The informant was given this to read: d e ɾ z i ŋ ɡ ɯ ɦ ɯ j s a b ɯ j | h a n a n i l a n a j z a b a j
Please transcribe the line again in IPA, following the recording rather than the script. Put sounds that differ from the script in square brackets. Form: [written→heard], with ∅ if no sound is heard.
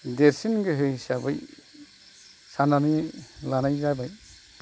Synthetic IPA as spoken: d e ɾ [z→s] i [ŋ→n] ɡ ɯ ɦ ɯ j s a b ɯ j | [h→s] a n a n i l a n a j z a b a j